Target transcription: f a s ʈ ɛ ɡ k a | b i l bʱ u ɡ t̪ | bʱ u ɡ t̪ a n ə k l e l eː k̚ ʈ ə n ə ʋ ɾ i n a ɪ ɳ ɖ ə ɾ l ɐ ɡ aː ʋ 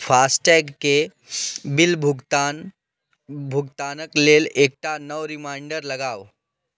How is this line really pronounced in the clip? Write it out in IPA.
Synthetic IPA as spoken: f a s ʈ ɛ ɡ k e | b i l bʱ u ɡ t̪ | bʱ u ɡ t̪ a n ə k l e l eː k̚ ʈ a n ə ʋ ɾ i m a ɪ ɳ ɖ ə ɾ l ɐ ɡ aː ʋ